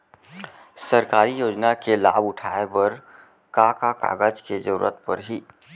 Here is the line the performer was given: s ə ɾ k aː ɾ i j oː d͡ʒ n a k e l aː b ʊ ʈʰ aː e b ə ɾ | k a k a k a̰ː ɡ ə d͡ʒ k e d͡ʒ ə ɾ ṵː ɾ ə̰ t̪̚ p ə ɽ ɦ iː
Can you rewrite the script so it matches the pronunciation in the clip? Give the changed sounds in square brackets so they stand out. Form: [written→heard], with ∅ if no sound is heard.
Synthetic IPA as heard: s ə ɾ k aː ɾ i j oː d͡ʒ n a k e l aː b ʊ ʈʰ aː e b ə ɾ | k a k a k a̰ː ɡ ə d͡ʒ k e d͡ʒ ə ɾ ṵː ɾ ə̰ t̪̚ p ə [ɽ→ɾ] ɦ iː